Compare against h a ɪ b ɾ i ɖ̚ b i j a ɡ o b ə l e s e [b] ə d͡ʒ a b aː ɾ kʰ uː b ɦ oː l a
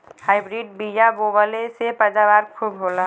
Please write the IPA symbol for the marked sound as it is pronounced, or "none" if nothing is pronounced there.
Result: p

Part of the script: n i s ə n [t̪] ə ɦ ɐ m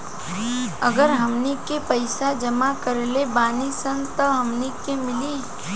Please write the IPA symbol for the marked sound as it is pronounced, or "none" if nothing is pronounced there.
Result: t̪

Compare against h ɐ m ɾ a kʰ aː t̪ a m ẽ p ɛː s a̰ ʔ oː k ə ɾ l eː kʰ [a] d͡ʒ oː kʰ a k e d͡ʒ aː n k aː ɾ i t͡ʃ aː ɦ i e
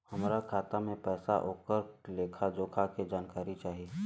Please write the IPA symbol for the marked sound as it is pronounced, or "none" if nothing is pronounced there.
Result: a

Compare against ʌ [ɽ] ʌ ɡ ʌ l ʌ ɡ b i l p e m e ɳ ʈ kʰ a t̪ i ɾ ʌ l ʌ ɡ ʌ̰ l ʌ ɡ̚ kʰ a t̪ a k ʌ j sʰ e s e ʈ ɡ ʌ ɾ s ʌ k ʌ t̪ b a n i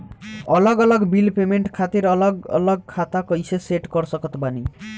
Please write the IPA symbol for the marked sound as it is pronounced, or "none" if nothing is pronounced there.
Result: l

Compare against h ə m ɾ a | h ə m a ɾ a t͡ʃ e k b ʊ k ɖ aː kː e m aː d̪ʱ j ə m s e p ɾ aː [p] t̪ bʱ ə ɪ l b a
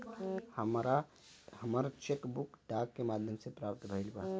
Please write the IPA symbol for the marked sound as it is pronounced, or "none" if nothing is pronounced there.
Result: p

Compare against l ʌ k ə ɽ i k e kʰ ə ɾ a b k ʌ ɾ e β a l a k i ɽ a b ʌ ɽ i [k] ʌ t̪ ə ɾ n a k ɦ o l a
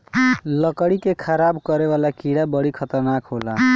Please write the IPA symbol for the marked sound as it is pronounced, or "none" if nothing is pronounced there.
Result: kʰ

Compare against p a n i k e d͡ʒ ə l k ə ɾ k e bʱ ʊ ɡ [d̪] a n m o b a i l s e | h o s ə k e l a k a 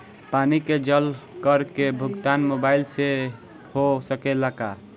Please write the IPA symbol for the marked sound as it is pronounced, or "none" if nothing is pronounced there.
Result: t̪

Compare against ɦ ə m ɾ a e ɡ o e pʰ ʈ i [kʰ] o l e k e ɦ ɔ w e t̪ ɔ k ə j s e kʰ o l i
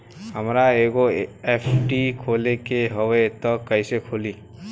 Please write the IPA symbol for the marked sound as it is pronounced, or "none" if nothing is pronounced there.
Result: kʰ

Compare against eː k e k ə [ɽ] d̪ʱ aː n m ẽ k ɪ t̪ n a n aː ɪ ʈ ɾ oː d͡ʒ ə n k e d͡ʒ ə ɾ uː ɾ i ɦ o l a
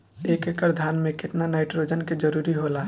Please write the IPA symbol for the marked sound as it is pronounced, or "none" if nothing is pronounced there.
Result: ɾ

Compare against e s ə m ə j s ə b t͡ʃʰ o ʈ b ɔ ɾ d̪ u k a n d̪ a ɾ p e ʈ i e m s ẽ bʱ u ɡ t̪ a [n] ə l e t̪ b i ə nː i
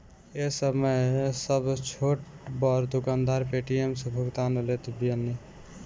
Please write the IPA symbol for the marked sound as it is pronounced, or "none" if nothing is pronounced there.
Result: n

